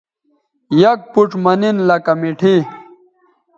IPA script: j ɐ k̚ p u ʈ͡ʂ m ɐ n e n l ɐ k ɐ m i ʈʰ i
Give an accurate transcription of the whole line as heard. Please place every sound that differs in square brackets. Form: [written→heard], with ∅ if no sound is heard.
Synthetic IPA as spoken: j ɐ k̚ p u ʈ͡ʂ m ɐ n [e→i] n l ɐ k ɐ m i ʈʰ i